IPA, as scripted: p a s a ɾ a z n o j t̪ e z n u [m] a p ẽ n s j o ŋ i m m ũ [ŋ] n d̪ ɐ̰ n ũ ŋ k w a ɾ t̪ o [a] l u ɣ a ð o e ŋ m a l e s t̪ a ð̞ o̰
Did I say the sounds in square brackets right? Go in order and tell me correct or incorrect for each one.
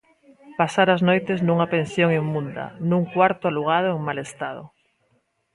incorrect: ŋ, incorrect: none, correct

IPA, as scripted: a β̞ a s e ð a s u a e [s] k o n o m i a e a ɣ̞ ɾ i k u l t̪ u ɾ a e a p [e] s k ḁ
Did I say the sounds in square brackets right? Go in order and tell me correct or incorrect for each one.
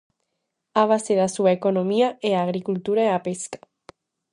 incorrect: none, correct

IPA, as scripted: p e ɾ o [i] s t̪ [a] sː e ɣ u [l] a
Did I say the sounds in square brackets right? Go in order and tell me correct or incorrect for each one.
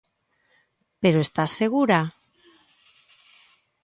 incorrect: e, correct, incorrect: ɾ

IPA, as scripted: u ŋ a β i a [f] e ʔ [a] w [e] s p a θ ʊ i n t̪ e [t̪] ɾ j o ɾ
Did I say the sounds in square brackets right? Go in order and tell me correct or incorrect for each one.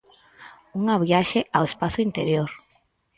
incorrect: ʃ, correct, correct, incorrect: none

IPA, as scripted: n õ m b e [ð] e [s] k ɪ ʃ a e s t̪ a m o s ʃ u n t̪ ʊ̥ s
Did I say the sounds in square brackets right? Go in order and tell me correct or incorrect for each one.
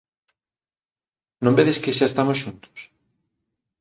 correct, correct

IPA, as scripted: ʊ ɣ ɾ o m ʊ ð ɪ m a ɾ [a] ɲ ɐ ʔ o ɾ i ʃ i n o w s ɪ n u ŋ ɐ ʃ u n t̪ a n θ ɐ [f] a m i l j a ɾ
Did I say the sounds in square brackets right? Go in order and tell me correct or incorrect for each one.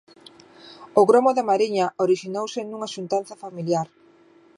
incorrect: i, correct

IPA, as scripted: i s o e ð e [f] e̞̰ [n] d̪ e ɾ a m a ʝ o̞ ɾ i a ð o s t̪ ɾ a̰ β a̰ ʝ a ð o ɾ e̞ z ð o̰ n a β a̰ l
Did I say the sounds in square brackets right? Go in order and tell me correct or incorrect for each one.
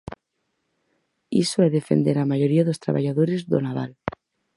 correct, correct

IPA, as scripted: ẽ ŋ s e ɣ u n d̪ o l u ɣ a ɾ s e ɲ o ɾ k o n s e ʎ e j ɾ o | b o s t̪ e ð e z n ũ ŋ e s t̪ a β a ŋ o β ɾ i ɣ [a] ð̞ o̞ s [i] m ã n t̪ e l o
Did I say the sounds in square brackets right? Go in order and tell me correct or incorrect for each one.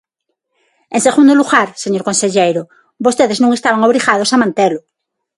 correct, incorrect: a

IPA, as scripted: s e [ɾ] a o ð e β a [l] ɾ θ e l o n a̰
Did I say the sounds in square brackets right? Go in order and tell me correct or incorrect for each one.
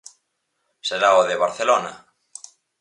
correct, incorrect: none

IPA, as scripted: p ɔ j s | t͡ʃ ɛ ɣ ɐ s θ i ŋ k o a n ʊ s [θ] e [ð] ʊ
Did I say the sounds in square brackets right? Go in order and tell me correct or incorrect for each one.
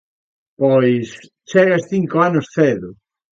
correct, correct

